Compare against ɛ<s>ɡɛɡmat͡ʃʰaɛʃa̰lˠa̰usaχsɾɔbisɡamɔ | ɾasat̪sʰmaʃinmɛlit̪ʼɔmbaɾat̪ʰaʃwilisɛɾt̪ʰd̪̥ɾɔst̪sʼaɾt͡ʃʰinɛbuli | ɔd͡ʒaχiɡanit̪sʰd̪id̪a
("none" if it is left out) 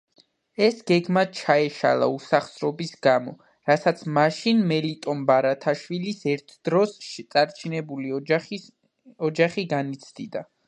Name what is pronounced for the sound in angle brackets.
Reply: s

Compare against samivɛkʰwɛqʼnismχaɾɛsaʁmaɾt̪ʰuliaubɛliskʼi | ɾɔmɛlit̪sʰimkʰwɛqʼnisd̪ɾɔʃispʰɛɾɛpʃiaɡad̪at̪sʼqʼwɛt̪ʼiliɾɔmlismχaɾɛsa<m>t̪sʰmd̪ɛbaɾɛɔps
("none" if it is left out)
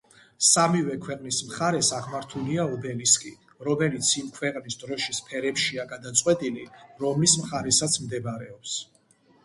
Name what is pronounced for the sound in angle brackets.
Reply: none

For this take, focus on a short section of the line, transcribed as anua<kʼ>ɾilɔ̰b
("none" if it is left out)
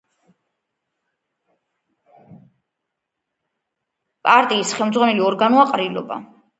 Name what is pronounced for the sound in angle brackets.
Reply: qʼ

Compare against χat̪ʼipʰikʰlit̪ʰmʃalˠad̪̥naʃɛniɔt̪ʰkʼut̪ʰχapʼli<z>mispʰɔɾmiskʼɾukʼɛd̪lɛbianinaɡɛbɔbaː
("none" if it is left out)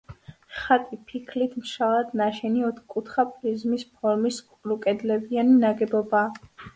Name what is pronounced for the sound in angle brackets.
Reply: z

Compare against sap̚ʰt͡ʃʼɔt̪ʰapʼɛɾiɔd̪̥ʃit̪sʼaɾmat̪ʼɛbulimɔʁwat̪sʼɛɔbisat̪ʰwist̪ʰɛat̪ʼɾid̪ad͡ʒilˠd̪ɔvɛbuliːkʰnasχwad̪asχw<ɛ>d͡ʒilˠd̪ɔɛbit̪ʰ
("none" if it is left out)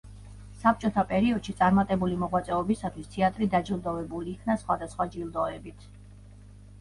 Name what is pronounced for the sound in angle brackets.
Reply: a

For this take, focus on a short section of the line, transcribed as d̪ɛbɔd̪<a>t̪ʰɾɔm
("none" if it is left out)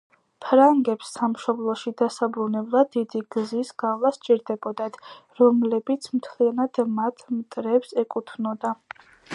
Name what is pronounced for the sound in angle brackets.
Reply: a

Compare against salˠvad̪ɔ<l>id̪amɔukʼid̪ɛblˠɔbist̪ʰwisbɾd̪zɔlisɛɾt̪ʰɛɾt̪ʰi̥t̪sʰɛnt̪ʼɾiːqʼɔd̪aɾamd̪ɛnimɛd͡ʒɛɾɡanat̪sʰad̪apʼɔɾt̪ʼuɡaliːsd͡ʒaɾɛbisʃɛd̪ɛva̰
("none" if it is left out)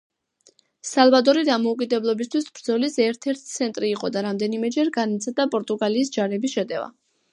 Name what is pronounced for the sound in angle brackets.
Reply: ɾ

